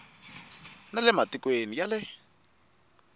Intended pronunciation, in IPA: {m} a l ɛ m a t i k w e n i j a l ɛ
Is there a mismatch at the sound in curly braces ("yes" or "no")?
yes